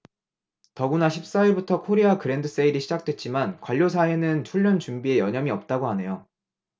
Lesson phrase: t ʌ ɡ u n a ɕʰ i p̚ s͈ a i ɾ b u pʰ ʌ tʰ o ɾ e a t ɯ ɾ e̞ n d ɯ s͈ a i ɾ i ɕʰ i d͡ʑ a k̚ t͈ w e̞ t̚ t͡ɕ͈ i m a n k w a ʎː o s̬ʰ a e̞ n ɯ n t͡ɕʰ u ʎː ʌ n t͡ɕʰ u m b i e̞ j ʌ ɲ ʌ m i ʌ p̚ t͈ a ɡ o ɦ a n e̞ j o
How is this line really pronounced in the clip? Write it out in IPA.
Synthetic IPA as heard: t ʌ ɡ u n a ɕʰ i p̚ s͈ a i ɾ b u tʰ ʌ kʰ o ɾ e a k ɯ ɾ e̞ n d ɯ s͈ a i ɾ i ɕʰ i d͡ʑ a k̚ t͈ w e̞ t̚ t͡ɕ͈ i m a n k w a ʎː o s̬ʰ a e̞ n ɯ n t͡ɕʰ u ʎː ʌ n t͡ɕ u m b i e̞ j ʌ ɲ ʌ m i ʌ p̚ t͈ a ɡ o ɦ a n e̞ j o